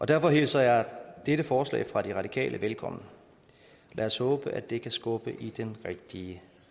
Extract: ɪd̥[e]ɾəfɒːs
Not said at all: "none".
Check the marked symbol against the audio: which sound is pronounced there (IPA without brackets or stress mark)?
e